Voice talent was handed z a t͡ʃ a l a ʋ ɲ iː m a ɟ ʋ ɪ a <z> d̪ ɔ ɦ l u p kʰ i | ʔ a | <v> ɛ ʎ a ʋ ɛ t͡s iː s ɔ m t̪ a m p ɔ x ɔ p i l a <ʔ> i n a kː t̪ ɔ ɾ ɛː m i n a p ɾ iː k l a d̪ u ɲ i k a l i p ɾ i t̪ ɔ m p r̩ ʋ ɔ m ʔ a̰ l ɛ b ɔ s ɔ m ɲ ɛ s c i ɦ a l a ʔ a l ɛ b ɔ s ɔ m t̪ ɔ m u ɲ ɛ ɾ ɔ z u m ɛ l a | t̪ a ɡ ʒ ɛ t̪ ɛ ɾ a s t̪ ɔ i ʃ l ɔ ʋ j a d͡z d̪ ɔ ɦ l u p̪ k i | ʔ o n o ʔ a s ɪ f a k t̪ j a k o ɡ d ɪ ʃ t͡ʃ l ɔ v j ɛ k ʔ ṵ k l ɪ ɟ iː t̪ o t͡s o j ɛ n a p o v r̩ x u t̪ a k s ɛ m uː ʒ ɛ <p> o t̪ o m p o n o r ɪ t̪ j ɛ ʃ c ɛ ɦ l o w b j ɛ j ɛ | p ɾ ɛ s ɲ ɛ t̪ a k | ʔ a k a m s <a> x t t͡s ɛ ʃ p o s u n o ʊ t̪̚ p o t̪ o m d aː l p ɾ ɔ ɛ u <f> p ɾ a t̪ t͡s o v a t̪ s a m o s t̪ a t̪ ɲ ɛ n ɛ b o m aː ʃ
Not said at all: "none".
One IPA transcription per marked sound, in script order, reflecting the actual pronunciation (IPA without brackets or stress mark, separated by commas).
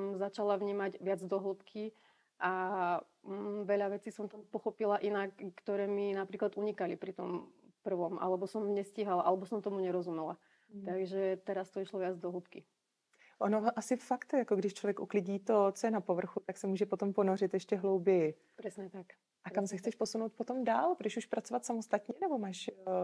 d͡z, ʋ, ʔ, p, ɛ, ʃ